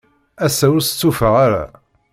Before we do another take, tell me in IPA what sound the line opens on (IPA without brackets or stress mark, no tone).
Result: æ